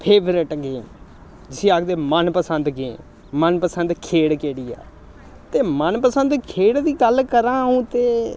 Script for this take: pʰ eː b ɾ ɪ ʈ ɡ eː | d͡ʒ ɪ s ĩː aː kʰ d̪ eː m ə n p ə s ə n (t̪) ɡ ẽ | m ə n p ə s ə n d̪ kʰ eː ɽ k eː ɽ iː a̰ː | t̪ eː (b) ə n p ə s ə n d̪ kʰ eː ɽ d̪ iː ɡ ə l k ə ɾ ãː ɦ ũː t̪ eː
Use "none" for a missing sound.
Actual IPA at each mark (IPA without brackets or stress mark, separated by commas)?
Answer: d̪, m